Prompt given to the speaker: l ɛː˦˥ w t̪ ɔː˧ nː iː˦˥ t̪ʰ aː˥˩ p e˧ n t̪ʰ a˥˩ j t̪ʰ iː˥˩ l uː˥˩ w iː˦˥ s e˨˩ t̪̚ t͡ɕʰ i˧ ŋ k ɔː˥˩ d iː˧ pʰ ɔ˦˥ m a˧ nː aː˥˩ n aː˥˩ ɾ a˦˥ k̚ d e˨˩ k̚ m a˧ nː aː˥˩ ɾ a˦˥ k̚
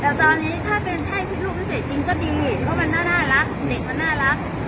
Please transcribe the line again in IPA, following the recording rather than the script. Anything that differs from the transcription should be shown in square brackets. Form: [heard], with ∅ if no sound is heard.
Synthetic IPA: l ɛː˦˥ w t̪ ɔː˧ nː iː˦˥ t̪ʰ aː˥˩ p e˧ n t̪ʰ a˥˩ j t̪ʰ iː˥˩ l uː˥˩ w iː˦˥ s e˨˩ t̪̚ [t͡ɕ] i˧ ŋ k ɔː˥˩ d iː˧ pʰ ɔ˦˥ m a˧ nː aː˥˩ n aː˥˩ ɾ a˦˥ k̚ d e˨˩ k̚ m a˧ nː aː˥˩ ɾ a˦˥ k̚